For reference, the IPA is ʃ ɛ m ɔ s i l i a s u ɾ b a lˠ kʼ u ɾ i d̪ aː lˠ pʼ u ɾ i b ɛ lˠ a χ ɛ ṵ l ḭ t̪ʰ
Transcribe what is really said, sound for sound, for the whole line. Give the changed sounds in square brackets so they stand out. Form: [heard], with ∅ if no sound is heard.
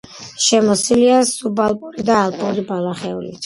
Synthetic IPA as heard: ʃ ɛ m ɔ s i l i a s u [∅] b a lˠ [pʼ] u ɾ i d̪ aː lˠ pʼ u ɾ i b [a] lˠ a χ ɛ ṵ l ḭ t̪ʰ